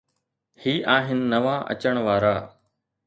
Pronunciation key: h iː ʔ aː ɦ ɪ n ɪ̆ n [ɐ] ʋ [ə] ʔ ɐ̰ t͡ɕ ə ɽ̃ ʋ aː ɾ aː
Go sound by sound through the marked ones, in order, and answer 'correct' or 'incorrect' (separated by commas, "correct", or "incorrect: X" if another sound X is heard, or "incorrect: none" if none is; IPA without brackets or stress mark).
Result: correct, incorrect: a